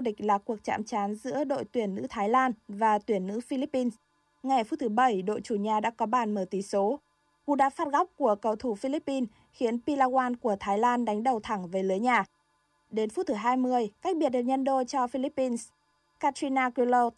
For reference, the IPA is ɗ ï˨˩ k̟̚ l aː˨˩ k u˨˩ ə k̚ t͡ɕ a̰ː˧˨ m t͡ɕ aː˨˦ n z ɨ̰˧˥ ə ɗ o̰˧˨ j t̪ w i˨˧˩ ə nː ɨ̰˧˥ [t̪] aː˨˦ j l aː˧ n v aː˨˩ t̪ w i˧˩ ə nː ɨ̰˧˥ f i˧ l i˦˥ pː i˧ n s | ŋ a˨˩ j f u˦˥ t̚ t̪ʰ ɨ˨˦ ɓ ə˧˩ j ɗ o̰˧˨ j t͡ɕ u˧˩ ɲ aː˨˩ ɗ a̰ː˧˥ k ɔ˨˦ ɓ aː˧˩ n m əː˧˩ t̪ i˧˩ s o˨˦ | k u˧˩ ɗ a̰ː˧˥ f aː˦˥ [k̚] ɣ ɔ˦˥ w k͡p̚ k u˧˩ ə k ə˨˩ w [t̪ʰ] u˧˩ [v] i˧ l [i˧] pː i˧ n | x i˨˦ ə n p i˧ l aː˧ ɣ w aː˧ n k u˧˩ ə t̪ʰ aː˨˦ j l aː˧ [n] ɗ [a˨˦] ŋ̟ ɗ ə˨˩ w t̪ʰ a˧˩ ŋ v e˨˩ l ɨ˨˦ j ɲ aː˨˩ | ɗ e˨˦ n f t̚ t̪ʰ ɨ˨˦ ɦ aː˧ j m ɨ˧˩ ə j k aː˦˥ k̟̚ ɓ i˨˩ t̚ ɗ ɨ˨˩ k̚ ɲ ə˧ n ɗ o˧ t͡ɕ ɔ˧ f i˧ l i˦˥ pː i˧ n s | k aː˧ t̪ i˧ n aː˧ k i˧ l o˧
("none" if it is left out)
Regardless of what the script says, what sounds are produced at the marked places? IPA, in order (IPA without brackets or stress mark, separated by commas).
t̪ʰ, t̚, t̪ʰ, f, i˦˥, n, a˨˦